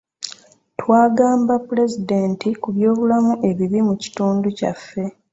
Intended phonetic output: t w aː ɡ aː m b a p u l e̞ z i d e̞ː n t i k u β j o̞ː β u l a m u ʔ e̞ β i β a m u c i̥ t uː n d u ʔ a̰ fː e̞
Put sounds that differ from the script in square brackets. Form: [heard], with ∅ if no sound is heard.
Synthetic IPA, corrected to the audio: t w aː ɡ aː m b a p u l e̞ z i d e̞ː n t i k u β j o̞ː β u l a m u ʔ e̞ β i β [i] m u c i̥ t uː n d u [c] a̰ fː e̞